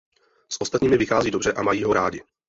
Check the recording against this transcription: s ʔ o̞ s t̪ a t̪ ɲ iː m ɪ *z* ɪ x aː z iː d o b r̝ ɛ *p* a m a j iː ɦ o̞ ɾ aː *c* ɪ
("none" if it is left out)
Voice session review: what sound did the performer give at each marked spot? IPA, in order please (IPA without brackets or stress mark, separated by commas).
v, ʔ, ɟ